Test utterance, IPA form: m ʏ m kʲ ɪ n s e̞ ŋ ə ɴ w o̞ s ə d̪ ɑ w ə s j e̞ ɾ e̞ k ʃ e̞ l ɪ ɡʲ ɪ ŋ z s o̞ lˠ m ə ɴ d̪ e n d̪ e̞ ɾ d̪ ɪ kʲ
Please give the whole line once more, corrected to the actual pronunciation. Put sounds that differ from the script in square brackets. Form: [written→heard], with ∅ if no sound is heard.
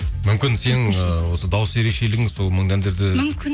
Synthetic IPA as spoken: m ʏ m kʲ ɪ n s e̞ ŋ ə [ɴ→∅] w o̞ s ə d̪ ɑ w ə s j e̞ ɾ e̞ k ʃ e̞ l ɪ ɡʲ ɪ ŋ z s o̞ lˠ m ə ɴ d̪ [e→æ] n d̪ e̞ ɾ d̪ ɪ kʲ